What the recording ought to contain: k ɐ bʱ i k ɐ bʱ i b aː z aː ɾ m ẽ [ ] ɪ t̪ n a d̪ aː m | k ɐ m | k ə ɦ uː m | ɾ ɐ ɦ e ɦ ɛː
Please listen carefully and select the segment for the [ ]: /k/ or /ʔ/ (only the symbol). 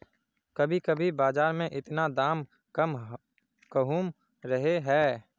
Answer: ʔ